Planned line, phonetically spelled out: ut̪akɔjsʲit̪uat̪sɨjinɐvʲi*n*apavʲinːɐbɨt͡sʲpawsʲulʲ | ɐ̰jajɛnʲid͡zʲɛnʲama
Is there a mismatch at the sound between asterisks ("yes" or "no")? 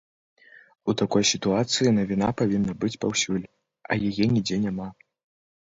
no